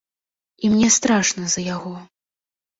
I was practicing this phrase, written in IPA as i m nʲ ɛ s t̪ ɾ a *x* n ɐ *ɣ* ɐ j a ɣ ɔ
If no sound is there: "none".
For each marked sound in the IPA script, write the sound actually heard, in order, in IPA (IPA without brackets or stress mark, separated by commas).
ʂ, z